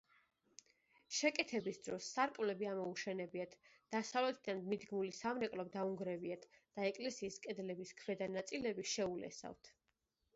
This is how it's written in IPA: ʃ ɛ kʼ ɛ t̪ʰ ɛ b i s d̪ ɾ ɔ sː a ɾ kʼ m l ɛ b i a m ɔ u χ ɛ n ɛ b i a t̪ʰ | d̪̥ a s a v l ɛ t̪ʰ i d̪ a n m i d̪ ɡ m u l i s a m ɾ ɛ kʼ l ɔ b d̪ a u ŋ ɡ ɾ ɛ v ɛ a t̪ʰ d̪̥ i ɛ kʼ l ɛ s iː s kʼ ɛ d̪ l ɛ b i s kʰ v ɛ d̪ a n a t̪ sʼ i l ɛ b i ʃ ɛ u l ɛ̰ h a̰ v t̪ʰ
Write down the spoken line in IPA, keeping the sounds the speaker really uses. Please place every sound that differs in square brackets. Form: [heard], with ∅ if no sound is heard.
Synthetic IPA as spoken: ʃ ɛ kʼ ɛ t̪ʰ ɛ b i s d̪ ɾ ɔ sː a ɾ kʼ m l ɛ b i a m ɔ u [ʃ] ɛ n ɛ b i a t̪ʰ | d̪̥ a s a v l ɛ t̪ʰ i d̪ a n m i d̪ ɡ m u l i s a m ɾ ɛ kʼ l ɔ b d̪ a u ŋ ɡ ɾ ɛ v [i] a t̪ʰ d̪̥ [a] ɛ kʼ l ɛ s iː s kʼ ɛ d̪ l ɛ b i s kʰ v ɛ d̪ a n a t̪ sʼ i l ɛ b i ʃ ɛ u l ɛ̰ [s] a̰ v t̪ʰ